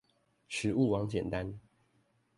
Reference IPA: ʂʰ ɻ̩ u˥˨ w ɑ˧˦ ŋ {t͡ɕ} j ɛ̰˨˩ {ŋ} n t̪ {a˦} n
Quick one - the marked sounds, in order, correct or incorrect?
correct, incorrect: none, correct

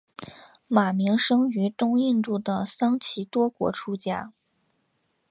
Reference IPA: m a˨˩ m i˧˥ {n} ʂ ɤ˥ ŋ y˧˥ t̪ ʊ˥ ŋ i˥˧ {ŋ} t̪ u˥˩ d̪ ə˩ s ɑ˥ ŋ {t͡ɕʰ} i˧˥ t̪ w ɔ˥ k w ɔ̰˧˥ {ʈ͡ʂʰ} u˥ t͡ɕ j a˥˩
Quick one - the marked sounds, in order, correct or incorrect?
incorrect: ŋ, incorrect: n, correct, correct

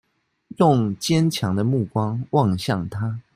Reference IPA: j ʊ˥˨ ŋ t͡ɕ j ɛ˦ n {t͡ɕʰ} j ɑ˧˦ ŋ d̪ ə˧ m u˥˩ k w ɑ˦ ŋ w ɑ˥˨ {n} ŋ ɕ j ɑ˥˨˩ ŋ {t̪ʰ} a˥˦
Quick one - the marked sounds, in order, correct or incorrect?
correct, incorrect: none, correct

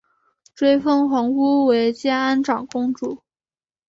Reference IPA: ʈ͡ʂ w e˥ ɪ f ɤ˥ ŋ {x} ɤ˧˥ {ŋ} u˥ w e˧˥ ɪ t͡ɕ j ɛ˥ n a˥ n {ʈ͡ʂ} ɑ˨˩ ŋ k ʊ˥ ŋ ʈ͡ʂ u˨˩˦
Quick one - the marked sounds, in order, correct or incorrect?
correct, correct, correct

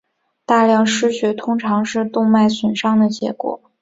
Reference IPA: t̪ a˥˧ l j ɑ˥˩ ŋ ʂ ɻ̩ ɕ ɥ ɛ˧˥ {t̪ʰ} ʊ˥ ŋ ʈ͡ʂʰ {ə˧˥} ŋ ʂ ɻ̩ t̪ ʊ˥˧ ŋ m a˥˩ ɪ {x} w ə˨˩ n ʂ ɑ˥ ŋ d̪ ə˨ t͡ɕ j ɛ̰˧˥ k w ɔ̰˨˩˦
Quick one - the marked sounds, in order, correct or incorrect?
correct, incorrect: ɑ˧˥, incorrect: s

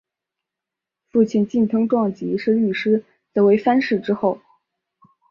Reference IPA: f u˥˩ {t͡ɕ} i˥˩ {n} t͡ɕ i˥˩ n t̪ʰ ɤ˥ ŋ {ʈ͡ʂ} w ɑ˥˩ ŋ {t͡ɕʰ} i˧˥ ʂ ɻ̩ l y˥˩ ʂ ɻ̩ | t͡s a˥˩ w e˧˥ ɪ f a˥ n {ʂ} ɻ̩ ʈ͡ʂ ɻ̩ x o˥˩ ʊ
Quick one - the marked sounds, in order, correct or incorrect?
incorrect: t͡ɕʰ, correct, correct, incorrect: t͡ɕ, correct

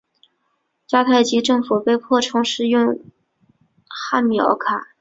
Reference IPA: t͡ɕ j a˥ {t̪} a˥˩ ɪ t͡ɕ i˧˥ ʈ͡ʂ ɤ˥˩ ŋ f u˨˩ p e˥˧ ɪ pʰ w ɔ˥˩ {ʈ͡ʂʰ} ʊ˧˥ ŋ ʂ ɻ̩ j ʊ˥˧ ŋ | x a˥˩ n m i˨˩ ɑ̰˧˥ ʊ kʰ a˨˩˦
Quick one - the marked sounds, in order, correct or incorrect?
incorrect: t̪ʰ, correct

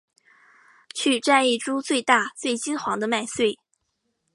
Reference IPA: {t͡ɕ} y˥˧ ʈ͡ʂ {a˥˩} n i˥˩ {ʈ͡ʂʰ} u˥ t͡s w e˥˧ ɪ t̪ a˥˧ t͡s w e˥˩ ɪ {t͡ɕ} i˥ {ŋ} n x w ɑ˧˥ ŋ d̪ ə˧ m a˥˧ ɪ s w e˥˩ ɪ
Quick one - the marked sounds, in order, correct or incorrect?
incorrect: t͡ɕʰ, incorrect: a˥˧, incorrect: ʈ͡ʂ, correct, incorrect: none

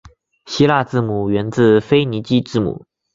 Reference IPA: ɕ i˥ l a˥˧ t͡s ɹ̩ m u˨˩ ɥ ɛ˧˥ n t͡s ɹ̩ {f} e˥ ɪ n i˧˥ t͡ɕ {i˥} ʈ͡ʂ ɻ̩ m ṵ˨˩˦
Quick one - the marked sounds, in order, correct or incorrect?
correct, correct

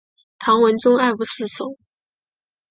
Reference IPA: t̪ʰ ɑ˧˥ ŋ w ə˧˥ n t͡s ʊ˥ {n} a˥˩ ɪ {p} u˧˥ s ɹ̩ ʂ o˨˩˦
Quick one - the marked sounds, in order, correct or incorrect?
incorrect: ŋ, correct

